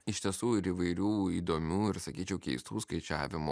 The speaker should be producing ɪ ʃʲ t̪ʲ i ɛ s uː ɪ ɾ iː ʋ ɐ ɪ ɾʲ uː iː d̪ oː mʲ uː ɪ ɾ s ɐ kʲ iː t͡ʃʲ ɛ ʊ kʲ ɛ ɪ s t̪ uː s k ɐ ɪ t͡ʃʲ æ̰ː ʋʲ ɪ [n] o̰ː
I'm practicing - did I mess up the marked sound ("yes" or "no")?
yes